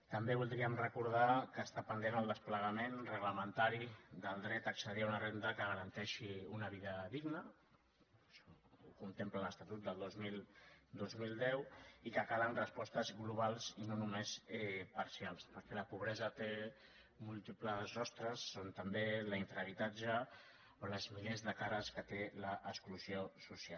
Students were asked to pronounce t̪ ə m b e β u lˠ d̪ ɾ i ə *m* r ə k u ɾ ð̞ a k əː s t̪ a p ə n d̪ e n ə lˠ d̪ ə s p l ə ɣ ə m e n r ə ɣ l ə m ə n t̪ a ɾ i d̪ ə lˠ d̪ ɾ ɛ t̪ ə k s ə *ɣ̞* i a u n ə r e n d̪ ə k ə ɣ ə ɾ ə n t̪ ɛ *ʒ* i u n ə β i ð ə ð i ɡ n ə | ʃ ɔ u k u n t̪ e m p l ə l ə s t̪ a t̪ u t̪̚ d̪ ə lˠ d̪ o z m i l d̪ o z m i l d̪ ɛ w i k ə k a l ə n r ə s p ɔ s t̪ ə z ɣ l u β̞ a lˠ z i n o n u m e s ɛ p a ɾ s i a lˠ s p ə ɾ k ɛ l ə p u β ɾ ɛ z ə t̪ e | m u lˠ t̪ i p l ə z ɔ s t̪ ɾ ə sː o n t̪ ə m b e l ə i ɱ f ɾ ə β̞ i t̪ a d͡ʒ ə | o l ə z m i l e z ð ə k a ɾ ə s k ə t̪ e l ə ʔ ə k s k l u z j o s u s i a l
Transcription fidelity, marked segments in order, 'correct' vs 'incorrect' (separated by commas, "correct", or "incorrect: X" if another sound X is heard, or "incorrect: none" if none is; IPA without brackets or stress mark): correct, incorrect: ð̞, incorrect: ʃ